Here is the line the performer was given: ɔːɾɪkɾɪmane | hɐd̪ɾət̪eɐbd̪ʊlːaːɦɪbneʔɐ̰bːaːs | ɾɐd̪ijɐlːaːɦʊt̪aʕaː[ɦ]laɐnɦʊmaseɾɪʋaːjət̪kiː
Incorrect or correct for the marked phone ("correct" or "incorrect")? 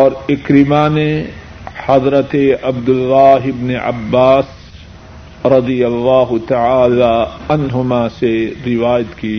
incorrect